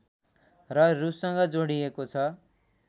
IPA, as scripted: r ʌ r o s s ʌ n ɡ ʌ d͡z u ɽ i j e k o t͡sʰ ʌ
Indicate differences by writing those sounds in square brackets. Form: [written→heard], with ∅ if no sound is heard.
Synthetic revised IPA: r ʌ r [o→u] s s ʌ [n→ŋ] ɡ ʌ d͡z [u→o] ɽ i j e k o t͡sʰ ʌ